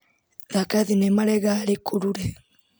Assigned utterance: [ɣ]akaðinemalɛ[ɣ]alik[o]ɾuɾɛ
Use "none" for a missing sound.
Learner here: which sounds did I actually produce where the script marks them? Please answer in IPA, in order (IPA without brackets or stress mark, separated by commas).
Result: ð, ɣ, u